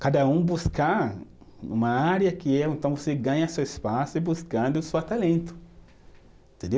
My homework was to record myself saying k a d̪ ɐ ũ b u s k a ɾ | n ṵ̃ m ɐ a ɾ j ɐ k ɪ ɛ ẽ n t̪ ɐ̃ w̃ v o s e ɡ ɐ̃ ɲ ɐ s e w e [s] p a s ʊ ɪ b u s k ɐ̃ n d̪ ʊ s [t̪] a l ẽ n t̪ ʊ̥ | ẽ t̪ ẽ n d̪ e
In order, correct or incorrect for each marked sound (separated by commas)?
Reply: correct, correct